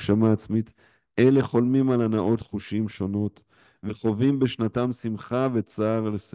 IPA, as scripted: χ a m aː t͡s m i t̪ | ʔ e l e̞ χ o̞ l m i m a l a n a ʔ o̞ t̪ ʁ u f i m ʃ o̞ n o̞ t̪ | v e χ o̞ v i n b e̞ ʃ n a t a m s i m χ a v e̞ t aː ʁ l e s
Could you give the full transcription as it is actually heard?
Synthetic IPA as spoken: ʃ a m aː t͡s m i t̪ | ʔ e l e̞ χ o̞ l m i m a l a n a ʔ o̞ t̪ χ u ʃ i m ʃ o̞ n o̞ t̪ | v e χ o̞ v i m b e̞ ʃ n a t a m s i m χ a v e̞ t͡s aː ʁ l e s